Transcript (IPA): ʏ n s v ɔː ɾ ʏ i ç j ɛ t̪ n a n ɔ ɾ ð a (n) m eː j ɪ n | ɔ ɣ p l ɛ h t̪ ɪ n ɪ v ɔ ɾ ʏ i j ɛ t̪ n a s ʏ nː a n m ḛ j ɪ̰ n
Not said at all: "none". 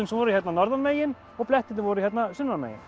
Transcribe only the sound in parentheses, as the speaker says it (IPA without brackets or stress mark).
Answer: n